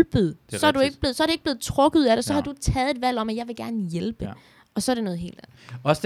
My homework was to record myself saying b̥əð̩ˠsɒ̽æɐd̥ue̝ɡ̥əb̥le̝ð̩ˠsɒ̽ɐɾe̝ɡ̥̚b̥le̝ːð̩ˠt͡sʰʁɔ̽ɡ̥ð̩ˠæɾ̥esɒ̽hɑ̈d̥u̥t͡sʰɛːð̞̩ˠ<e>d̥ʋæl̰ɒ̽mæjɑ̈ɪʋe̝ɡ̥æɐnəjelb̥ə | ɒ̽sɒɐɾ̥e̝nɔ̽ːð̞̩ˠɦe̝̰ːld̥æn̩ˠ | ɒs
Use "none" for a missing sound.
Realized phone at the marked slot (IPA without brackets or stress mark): e